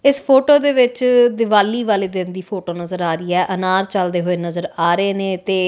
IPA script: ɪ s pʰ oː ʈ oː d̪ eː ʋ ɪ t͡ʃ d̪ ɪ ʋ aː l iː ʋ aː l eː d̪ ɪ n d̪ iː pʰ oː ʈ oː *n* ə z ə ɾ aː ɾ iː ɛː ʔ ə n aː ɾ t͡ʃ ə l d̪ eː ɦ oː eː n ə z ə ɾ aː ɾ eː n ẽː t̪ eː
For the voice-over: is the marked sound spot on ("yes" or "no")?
yes